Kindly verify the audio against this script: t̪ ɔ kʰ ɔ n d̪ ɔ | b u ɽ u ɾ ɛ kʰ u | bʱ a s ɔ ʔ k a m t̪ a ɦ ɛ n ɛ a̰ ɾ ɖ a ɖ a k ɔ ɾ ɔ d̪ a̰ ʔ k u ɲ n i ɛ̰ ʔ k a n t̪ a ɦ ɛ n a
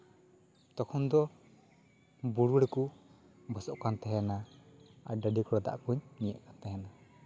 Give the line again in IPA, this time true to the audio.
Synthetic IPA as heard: t̪ ɔ kʰ ɔ n d̪ ɔ | b u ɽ u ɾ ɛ k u | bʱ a s ɔ ʔ k a n t̪ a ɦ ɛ n a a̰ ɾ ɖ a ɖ i k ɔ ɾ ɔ d̪ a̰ ʔ k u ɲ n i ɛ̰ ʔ k a n t̪ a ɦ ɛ n a